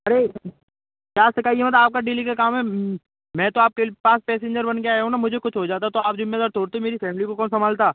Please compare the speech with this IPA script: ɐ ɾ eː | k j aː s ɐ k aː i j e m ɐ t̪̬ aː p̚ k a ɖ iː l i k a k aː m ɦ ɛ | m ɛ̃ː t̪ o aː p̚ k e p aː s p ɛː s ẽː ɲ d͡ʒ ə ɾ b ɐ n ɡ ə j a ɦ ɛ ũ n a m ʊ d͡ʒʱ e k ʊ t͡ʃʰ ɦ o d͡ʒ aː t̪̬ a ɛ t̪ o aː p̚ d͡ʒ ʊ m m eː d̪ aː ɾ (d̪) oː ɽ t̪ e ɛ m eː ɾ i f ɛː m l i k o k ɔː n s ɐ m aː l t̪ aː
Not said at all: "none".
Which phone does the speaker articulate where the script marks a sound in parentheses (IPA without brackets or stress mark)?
t̪